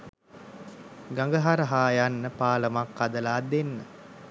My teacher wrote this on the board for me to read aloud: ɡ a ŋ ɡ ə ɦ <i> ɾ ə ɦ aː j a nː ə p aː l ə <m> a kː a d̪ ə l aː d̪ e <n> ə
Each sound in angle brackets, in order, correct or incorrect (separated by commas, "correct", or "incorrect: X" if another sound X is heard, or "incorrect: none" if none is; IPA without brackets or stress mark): incorrect: a, correct, incorrect: nː